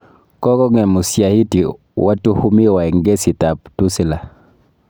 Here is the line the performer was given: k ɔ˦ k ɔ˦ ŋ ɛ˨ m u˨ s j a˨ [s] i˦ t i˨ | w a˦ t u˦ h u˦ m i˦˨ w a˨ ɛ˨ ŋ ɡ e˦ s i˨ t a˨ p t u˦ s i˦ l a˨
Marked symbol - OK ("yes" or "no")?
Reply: no